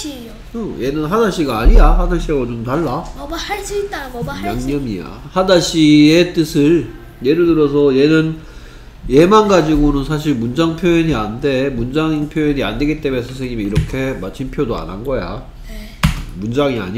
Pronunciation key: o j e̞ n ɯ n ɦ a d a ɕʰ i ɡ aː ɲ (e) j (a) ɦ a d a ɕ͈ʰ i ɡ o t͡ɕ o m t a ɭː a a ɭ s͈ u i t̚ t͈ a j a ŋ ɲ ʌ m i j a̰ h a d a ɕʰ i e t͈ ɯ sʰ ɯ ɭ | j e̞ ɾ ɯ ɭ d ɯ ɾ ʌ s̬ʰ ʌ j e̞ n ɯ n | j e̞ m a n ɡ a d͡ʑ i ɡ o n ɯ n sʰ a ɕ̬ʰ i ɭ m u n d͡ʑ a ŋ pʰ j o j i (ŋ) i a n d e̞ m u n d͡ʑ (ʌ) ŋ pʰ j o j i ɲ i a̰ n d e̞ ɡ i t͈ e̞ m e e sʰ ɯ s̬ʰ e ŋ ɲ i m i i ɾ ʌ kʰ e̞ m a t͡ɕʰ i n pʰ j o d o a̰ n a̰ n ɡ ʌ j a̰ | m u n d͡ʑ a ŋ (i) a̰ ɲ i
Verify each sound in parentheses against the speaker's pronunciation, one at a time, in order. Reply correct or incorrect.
incorrect, correct, incorrect, incorrect, correct

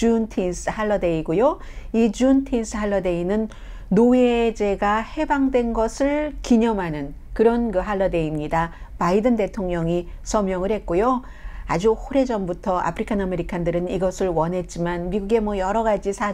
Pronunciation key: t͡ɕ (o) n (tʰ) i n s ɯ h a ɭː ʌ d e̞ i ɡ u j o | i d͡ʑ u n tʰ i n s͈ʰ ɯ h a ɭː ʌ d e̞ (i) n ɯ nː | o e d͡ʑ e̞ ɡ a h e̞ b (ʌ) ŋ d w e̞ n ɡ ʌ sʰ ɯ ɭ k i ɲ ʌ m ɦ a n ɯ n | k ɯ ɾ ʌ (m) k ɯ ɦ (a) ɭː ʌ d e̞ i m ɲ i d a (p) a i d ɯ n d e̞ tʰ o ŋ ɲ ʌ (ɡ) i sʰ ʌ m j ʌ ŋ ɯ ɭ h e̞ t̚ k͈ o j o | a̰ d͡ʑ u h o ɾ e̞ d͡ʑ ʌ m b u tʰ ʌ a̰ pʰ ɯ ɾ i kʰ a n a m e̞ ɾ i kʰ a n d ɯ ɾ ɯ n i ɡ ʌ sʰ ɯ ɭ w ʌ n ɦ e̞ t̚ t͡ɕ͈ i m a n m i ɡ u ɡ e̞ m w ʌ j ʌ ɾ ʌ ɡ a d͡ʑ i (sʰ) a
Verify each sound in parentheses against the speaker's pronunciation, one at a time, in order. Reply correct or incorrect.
incorrect, correct, correct, incorrect, incorrect, correct, correct, incorrect, correct

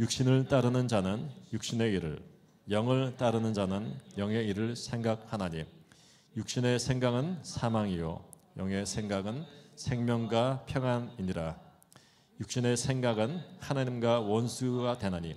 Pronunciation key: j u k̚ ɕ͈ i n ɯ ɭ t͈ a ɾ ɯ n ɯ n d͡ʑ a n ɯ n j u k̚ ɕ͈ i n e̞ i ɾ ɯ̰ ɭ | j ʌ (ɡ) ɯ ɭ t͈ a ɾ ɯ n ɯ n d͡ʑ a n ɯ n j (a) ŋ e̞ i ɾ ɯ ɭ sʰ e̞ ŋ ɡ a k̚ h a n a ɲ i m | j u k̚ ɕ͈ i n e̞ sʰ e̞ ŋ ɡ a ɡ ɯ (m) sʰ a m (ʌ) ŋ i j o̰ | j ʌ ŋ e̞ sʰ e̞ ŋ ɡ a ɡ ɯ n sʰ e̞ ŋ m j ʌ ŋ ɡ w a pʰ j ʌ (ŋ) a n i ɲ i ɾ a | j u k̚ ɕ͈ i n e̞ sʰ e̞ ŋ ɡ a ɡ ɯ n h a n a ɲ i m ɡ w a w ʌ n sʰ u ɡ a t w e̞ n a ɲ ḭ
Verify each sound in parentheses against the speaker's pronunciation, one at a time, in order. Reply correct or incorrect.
incorrect, incorrect, incorrect, incorrect, correct

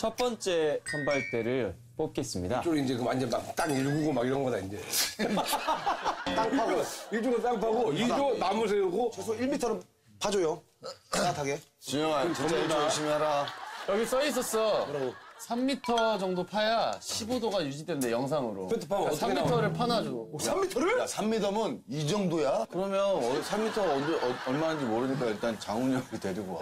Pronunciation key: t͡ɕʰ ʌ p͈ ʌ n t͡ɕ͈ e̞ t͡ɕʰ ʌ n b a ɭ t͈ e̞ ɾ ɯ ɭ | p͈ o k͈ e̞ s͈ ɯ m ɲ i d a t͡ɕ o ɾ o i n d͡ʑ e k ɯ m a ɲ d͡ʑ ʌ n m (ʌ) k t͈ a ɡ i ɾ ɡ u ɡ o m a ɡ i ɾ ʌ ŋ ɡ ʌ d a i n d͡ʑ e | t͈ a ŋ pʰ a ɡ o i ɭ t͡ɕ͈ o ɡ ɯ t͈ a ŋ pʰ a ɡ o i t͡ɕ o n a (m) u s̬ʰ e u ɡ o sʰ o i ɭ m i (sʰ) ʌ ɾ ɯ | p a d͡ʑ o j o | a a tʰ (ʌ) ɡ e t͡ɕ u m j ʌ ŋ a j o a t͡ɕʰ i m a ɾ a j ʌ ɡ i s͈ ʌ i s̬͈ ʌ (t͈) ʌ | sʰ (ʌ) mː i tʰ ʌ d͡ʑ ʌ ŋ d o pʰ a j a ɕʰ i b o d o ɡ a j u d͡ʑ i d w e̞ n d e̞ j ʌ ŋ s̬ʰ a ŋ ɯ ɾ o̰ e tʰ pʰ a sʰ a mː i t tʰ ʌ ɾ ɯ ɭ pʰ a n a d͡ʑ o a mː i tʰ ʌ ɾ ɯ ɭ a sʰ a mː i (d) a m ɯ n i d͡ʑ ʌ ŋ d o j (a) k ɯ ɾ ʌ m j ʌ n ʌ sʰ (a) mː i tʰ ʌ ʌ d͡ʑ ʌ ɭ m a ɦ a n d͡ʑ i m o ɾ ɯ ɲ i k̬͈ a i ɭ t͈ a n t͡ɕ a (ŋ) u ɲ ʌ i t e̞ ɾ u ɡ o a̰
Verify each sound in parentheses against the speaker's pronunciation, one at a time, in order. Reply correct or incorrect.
incorrect, correct, incorrect, incorrect, incorrect, incorrect, correct, correct, correct, correct

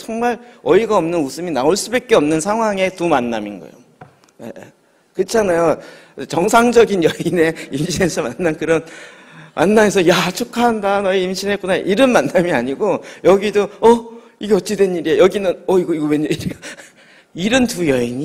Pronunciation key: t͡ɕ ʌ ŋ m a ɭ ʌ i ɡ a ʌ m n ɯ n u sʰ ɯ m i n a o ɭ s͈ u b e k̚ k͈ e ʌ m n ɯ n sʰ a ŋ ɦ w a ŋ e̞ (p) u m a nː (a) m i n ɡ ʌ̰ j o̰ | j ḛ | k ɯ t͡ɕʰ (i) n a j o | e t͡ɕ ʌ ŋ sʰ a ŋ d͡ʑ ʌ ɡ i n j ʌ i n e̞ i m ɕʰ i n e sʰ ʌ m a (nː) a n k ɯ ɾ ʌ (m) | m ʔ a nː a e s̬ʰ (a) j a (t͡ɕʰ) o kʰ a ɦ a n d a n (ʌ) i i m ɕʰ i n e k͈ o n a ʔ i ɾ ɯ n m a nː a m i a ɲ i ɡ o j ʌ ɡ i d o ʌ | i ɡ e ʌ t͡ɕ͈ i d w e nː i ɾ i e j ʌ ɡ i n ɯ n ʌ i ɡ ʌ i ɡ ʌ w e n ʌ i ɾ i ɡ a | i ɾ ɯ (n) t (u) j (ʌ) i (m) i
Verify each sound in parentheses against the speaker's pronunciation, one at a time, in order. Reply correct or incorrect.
incorrect, correct, incorrect, correct, incorrect, incorrect, correct, correct, correct, correct, correct, incorrect

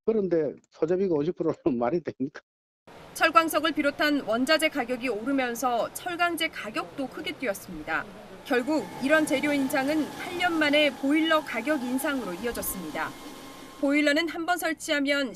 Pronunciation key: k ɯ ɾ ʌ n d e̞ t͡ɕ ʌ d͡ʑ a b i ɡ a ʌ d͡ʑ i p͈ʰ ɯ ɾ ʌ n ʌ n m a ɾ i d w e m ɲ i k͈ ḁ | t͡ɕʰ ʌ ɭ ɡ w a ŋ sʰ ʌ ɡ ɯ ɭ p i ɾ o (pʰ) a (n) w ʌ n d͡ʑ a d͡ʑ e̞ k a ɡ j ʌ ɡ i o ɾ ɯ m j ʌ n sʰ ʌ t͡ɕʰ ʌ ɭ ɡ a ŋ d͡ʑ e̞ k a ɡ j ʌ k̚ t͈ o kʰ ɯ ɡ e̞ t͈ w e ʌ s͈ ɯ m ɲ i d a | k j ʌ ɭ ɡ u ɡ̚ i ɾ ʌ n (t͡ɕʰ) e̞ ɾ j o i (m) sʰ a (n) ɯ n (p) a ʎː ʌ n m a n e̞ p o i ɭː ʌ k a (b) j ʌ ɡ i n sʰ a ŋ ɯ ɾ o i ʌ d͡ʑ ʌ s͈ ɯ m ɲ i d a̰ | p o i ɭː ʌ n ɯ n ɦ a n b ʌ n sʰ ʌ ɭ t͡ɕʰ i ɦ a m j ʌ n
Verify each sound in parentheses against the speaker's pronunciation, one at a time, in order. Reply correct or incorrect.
incorrect, correct, incorrect, incorrect, incorrect, incorrect, incorrect

